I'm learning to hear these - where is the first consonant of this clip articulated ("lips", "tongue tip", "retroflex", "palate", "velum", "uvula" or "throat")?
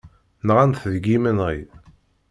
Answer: tongue tip